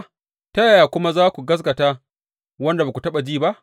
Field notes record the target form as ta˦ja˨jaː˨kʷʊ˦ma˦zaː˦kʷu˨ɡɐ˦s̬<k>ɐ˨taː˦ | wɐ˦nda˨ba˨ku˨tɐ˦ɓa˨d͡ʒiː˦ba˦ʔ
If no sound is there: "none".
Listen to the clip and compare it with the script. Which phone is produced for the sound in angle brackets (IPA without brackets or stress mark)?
ɡ